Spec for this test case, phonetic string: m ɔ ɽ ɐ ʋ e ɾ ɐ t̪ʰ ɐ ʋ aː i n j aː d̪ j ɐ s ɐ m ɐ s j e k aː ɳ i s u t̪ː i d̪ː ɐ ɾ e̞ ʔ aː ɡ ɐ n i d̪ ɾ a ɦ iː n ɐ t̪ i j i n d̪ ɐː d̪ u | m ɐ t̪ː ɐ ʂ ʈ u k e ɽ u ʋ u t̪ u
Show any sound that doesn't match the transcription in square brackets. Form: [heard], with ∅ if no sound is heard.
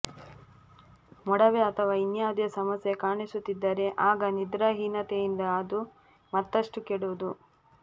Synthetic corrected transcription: m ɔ ɽ ɐ ʋ e [∅] ɐ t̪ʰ ɐ ʋ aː i n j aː d̪ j ɐ s ɐ m ɐ s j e k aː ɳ i s u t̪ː i d̪ː ɐ ɾ e̞ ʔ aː ɡ ɐ n i d̪ ɾ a ɦ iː n ɐ t̪ [e] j i n d̪ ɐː d̪ u | m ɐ t̪ː ɐ ʂ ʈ u k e ɽ u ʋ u [d̪] u